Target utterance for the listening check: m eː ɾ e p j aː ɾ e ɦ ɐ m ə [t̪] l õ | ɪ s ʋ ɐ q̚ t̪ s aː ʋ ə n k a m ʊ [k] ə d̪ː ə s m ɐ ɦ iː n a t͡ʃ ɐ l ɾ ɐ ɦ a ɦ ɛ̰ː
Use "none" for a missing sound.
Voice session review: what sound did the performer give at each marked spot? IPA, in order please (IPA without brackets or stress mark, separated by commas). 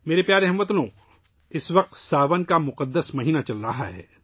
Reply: t̪, q